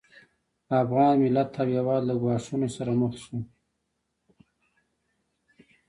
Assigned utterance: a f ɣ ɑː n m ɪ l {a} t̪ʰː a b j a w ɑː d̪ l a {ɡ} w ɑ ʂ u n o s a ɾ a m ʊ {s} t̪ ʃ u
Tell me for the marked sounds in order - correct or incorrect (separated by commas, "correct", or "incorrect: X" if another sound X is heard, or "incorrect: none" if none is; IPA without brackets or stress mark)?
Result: correct, correct, incorrect: x